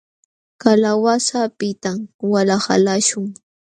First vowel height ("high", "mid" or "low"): low